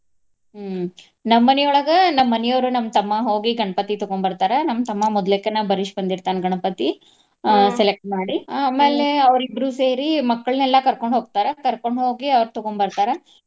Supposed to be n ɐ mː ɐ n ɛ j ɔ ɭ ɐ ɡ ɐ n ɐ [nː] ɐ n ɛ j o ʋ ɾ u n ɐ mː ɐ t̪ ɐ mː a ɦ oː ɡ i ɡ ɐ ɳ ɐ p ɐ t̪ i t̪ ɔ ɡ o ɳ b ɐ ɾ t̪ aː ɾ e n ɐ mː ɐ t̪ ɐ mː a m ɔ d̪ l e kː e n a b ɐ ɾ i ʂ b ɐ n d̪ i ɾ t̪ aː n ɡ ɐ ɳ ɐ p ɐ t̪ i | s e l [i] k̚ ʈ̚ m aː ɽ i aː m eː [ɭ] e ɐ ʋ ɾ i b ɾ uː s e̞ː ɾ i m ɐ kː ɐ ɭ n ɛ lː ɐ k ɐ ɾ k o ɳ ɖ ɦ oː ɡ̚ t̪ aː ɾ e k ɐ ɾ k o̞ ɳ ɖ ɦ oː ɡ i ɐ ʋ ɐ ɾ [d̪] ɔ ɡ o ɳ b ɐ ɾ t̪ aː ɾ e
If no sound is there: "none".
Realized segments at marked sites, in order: mː, e, l, t̪

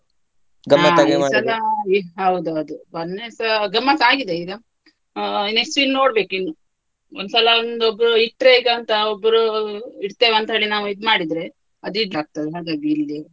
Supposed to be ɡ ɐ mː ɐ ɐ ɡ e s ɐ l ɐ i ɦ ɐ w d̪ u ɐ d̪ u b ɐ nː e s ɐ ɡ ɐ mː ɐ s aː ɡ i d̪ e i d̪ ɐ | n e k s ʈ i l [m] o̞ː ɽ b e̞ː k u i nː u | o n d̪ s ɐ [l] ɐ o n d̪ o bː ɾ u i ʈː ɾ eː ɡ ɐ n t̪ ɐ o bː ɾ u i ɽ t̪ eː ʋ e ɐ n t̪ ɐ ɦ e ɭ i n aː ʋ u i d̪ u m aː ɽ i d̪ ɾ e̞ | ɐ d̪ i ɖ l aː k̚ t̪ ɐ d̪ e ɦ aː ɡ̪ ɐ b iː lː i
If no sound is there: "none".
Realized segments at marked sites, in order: n, l

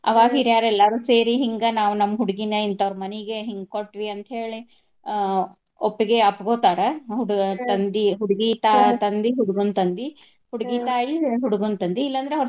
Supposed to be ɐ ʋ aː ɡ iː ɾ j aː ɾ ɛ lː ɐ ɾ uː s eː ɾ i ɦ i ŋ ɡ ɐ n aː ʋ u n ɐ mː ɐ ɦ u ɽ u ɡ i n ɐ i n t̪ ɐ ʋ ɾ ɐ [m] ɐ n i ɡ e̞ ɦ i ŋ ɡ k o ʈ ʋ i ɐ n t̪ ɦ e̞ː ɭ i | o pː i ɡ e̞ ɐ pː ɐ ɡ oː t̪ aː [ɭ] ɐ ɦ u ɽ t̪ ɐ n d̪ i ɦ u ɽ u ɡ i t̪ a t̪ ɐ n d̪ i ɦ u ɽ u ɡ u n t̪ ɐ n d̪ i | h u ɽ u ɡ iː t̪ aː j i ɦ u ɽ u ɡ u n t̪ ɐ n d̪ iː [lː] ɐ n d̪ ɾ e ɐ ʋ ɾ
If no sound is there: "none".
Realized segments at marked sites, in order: m, ɾ, lː

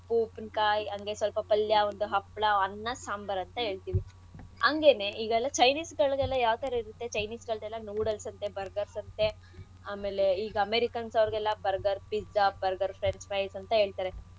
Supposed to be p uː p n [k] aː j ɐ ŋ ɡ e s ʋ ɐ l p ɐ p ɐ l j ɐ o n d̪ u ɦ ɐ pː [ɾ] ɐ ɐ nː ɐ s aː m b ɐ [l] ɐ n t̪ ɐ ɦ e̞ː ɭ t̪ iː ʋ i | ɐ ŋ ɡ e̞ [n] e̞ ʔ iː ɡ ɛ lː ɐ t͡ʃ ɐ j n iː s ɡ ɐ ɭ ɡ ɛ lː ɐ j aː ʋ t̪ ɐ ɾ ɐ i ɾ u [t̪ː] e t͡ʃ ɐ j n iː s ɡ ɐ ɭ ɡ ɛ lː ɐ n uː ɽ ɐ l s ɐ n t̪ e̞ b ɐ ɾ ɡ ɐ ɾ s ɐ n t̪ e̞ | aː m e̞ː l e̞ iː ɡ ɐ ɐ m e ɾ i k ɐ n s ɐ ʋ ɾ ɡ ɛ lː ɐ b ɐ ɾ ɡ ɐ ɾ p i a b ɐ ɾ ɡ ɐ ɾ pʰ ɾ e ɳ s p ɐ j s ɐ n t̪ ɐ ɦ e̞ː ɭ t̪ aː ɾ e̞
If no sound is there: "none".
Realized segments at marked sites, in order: k, ɭ, ɾ, n, t̪ː

